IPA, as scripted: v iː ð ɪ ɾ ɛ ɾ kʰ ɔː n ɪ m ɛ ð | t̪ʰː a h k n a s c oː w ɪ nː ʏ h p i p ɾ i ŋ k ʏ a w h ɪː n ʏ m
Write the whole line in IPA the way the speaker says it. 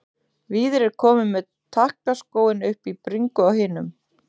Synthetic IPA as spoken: v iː ð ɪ ɾ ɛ ɾ kʰ ɔː m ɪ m ɛ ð | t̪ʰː a h k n a s k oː w ɪ n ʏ h p i p ɾ i ŋ k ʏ a w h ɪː n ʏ m